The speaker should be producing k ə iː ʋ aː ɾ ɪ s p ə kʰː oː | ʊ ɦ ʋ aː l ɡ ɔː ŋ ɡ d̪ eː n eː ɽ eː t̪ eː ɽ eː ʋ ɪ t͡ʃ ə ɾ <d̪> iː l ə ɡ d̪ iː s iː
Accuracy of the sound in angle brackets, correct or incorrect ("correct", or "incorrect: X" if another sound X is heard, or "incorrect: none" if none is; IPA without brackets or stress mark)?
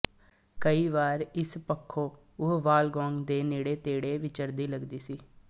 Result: correct